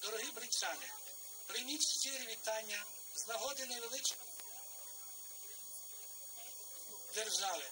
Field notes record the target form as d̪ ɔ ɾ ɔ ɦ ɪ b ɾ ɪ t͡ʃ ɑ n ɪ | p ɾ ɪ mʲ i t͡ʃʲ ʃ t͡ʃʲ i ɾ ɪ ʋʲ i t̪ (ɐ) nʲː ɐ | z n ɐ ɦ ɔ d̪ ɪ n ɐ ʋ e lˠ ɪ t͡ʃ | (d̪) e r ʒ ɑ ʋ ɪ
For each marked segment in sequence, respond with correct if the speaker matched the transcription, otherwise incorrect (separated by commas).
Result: incorrect, correct